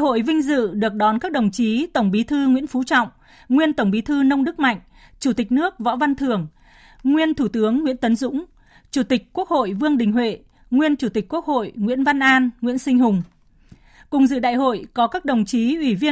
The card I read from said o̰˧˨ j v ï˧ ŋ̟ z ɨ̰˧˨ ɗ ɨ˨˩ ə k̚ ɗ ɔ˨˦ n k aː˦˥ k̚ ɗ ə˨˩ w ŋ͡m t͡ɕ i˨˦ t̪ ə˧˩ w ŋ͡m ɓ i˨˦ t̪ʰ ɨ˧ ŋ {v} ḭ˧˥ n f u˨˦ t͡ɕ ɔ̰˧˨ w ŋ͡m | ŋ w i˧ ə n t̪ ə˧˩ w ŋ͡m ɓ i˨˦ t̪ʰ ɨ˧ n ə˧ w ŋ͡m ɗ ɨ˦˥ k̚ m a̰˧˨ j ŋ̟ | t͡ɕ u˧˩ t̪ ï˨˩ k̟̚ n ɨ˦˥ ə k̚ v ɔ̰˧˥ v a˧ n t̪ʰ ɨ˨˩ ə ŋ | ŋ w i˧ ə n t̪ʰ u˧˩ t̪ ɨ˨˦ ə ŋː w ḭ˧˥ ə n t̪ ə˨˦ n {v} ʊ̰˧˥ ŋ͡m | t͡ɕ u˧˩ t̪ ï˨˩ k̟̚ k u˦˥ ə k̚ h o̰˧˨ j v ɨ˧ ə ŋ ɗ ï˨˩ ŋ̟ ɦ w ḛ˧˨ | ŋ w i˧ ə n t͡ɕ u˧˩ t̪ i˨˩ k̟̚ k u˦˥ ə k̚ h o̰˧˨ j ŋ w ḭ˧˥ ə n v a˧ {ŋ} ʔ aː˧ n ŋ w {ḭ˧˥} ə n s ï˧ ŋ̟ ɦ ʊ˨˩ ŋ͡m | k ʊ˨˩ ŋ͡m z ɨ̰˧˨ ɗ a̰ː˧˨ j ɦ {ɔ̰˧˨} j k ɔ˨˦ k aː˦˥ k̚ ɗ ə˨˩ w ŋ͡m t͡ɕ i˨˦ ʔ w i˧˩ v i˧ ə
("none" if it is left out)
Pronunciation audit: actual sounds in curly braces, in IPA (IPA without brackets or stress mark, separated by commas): w, z, n, ḭ˧˥, o̰˧˨